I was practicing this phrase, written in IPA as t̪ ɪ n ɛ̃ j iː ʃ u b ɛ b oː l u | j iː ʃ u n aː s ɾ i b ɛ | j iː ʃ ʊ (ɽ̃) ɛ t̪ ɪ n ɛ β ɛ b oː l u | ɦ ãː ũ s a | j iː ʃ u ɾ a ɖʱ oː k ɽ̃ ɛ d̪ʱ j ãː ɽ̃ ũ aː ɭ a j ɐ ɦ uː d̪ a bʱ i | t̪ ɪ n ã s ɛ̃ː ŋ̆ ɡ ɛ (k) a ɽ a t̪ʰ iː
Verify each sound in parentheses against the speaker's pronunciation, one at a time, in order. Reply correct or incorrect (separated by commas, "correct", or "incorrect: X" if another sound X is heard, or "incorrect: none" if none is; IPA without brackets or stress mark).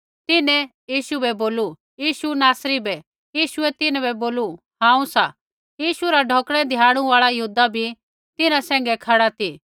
incorrect: none, incorrect: kʰ